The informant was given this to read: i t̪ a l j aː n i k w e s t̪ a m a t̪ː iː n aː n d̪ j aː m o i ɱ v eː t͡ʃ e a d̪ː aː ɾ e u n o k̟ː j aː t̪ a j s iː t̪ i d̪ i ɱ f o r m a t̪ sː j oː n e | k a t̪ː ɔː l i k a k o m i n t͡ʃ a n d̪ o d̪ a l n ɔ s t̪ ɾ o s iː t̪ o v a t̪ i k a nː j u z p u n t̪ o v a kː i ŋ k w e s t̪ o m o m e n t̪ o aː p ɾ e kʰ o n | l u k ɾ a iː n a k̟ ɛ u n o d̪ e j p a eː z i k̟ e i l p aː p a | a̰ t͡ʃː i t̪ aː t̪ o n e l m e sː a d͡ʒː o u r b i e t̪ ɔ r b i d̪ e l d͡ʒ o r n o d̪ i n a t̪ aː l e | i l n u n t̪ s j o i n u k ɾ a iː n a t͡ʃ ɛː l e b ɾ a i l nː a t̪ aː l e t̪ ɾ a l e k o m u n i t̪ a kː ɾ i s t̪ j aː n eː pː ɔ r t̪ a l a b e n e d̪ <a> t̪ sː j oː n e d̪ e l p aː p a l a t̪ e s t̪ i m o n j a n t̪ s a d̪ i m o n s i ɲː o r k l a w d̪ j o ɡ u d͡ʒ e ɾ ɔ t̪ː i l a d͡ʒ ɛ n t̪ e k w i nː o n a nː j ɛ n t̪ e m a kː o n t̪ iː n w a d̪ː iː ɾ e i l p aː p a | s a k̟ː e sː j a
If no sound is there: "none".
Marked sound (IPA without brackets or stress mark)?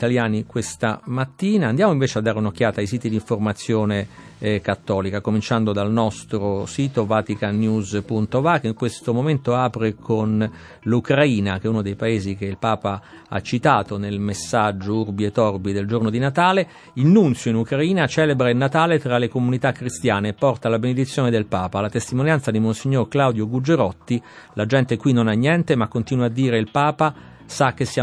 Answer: i